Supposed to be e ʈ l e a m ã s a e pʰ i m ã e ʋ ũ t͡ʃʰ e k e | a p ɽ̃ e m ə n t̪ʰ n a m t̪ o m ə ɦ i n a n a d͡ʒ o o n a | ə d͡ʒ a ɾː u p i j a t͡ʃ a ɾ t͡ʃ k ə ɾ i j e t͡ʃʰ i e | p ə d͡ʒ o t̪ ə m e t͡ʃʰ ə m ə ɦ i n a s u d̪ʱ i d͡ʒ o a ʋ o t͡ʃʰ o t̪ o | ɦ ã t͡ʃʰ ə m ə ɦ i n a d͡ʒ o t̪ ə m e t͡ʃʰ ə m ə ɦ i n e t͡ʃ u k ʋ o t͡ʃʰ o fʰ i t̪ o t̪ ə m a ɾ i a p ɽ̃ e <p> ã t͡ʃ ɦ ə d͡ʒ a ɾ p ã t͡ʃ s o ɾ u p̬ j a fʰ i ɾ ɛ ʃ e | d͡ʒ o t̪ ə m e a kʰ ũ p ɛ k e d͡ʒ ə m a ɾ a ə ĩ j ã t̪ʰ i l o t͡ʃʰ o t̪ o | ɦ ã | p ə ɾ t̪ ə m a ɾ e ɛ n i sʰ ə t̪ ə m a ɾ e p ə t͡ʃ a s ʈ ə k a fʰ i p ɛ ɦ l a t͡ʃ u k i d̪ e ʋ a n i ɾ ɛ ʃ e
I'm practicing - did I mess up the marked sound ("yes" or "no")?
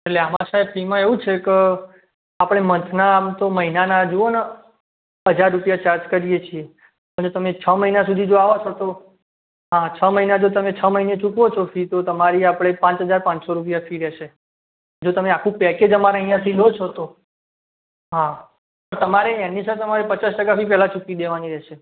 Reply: no